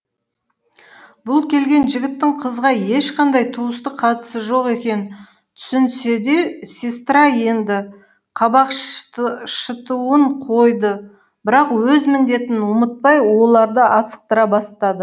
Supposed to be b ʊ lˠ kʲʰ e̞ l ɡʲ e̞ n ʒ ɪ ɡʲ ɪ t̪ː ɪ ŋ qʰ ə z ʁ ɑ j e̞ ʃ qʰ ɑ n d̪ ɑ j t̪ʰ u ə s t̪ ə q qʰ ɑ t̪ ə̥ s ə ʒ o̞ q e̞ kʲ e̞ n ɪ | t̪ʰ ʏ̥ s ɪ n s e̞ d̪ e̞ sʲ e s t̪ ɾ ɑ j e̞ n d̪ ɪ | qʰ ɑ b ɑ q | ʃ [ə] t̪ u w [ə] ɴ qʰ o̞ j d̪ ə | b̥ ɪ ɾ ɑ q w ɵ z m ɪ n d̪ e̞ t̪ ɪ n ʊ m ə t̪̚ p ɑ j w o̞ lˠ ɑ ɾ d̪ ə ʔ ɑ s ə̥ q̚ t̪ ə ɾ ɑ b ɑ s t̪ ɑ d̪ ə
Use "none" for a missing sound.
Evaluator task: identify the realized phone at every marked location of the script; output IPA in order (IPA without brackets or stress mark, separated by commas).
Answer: ə, ə